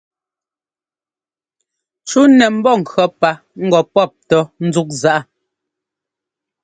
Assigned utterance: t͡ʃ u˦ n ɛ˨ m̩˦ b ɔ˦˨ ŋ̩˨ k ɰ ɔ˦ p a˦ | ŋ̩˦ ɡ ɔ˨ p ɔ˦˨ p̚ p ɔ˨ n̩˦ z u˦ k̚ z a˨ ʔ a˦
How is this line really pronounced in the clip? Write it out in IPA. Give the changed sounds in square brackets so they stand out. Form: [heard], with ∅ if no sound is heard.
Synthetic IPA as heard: t͡ʃ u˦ n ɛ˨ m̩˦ b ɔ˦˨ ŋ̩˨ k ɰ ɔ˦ p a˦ | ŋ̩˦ ɡ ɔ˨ p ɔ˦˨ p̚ [t] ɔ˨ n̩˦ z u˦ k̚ z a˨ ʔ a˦